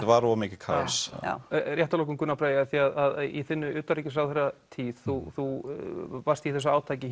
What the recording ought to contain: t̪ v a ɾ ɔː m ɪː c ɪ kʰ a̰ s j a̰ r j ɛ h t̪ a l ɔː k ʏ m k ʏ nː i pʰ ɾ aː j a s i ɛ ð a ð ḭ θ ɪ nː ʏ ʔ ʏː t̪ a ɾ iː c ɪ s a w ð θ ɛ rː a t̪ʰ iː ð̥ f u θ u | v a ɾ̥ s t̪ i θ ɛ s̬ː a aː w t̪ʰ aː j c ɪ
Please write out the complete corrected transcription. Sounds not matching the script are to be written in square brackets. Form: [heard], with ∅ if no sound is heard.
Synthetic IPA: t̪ v a ɾ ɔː m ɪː c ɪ kʰ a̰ s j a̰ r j ɛ h t̪ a l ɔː k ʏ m k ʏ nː [a] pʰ ɾ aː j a [θ] i [a] ð a ð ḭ θ ɪ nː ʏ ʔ ʏː t̪ a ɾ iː c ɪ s a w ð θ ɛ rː a t̪ʰ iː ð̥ [θ] u θ u | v a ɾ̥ s t̪ i θ ɛ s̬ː a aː w t̪ʰ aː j c ɪ